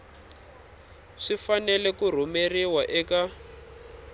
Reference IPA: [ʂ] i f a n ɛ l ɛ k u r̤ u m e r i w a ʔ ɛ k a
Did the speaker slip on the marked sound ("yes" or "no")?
no